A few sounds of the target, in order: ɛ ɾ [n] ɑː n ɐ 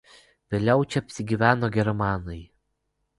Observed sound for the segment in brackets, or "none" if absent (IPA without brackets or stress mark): m